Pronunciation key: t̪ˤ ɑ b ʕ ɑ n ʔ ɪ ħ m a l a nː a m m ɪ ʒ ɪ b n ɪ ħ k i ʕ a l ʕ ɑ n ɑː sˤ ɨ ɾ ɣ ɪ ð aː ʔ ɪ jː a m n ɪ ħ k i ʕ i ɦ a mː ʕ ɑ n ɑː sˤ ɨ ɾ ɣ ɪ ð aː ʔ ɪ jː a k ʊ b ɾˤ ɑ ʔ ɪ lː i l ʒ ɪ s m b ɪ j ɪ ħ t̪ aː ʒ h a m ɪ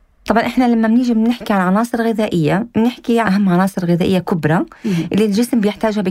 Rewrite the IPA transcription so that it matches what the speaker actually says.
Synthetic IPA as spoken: t̪ˤ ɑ b ʕ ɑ n ʔ ɪ ħ n a l a mː a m n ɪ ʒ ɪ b n ɪ ħ k i ʕ a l ʕ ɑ n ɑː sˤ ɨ ɾ ɣ ɪ ð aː ʔ ɪ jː a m n ɪ ħ k i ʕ a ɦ a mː ʕ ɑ n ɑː sˤ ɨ ɾ ɣ ɪ ð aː ʔ ɪ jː a k ʊ b ɾˤ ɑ ʔ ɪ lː i l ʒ ɪ s m b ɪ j ɪ ħ t̪ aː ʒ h a b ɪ